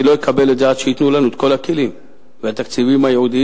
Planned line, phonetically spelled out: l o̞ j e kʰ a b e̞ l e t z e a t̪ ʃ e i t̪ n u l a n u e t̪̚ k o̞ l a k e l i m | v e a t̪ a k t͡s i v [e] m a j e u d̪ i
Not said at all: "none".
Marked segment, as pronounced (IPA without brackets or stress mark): i